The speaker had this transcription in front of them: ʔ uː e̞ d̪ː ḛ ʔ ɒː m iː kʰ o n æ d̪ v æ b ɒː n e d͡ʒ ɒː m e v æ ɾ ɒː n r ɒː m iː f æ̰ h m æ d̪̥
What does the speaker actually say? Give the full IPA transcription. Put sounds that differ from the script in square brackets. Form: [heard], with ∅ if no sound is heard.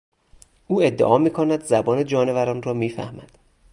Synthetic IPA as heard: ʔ uː e̞ d̪ː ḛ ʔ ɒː m iː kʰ o n æ d̪ [z] æ b ɒː n e d͡ʒ ɒː [n] e v æ ɾ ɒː n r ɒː m iː f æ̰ h m æ d̪̥